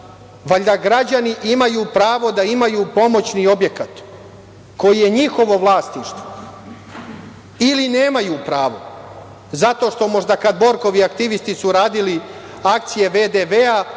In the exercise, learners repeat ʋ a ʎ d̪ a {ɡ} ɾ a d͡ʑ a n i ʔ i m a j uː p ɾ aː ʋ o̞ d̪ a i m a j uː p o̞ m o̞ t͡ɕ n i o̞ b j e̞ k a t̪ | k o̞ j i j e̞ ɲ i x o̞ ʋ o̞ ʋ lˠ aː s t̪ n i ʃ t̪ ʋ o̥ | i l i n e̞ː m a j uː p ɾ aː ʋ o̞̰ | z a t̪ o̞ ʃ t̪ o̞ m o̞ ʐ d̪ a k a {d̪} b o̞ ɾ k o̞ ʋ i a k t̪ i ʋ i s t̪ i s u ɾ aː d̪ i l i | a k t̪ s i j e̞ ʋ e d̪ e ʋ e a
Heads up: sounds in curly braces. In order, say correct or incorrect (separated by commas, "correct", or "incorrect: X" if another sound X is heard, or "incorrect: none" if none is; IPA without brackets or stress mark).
correct, correct